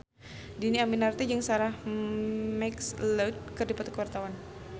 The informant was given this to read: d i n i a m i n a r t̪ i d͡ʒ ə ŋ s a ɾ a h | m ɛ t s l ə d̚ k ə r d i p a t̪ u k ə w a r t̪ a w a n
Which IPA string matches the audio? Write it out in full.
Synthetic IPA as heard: d i n i a m i n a r t̪ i d͡ʒ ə ŋ s a ɾ a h | m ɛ k s l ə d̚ k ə r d i p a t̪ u k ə w a r t̪ a w a n